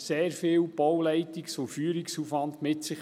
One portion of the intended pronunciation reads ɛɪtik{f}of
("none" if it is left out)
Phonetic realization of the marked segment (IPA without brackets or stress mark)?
s